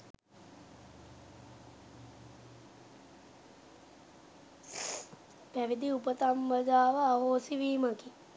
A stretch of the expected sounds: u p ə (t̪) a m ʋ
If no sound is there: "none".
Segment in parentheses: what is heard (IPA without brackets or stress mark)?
t̪